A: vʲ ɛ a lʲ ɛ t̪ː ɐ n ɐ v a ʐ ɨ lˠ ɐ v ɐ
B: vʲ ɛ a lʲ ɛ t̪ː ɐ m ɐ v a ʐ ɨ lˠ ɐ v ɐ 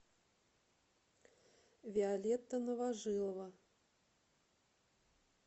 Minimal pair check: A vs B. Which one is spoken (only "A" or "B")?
A